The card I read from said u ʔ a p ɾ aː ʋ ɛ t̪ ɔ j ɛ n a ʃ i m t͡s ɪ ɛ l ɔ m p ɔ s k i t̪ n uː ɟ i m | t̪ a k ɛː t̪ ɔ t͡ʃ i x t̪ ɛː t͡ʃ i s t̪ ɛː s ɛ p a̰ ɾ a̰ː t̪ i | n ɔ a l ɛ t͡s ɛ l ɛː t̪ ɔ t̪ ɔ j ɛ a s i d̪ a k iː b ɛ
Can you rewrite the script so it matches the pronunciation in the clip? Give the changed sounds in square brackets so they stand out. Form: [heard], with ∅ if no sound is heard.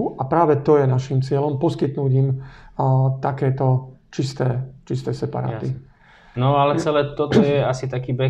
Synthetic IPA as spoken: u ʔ a p ɾ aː ʋ ɛ t̪ ɔ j ɛ n a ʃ i m t͡s ɪ ɛ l ɔ m p ɔ s k i t̪ n uː ɟ i m | t̪ a k ɛː t̪ ɔ t͡ʃ i [s] t̪ ɛː t͡ʃ i s t̪ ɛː s ɛ p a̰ ɾ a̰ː t̪ i | n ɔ a l ɛ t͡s ɛ l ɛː t̪ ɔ t̪ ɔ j ɛ a s i [t̪] a k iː b ɛ